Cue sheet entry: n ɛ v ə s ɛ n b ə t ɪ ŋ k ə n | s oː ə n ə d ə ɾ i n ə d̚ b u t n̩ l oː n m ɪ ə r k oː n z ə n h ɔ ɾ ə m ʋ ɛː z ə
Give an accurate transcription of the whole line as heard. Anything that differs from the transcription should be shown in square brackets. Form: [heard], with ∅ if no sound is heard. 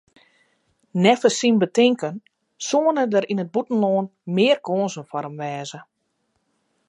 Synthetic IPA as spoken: n ɛ [f] ə s [i] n b ə t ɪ ŋ k ə n | s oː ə n ə d ə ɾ i n ə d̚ b u t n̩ l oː n m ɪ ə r k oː n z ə n [f] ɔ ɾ ə m ʋ ɛː z ə